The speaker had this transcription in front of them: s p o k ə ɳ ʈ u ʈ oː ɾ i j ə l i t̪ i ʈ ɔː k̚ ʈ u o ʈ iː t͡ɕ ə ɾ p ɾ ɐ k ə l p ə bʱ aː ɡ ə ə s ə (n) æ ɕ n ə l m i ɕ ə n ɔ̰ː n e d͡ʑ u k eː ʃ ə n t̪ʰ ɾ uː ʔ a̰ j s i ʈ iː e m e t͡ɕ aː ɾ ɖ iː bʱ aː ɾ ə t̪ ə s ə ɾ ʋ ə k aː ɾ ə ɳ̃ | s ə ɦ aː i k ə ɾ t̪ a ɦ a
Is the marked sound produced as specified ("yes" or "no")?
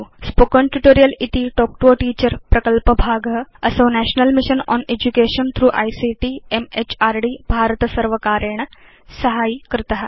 yes